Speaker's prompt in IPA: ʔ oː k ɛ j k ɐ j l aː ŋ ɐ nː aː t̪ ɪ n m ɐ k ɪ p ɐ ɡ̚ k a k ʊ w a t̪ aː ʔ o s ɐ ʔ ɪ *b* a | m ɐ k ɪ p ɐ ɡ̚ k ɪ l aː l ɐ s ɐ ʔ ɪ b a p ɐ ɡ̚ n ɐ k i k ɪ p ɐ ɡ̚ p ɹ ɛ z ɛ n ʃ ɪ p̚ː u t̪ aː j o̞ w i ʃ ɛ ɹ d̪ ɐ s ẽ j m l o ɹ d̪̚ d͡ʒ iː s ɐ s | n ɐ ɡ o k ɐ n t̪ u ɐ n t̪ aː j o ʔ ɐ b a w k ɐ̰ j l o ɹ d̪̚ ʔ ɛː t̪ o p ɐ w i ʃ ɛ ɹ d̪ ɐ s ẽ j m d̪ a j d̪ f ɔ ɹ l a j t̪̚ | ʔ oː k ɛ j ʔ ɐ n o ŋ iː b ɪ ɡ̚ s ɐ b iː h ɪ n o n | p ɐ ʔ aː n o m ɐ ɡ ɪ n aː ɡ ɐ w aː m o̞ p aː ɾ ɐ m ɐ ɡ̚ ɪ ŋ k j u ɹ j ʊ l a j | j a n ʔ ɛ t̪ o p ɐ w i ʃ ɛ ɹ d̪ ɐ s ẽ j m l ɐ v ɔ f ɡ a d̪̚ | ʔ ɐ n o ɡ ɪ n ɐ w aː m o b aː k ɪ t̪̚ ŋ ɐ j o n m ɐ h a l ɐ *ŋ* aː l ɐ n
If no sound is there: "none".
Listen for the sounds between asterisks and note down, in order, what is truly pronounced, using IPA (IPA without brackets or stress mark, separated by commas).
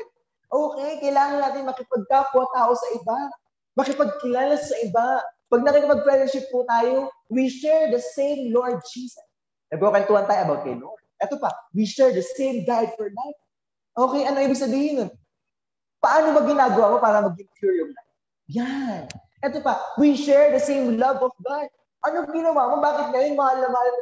b, m